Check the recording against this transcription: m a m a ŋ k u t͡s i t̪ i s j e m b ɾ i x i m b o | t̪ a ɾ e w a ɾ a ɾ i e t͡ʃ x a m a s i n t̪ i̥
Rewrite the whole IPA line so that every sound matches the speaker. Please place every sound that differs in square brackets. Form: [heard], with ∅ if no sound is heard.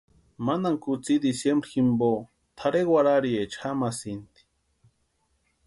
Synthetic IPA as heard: m a [n] a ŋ k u t͡s i [d̪] i s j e m b ɾ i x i m b o | [t̪ʰ] a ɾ e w a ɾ a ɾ i e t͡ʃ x a m a s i n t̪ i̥